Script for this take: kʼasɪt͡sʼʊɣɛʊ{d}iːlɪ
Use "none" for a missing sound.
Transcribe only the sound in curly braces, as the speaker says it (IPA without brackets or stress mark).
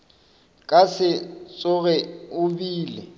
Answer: b